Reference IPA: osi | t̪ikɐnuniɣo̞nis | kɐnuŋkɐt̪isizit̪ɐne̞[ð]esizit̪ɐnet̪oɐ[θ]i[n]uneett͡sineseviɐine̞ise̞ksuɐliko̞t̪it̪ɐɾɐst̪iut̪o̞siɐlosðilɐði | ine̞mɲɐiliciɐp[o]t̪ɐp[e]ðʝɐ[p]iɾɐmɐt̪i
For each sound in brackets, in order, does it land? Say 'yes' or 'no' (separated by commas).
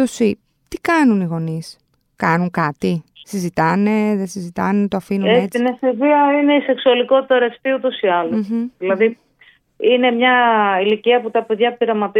yes, no, yes, no, yes, yes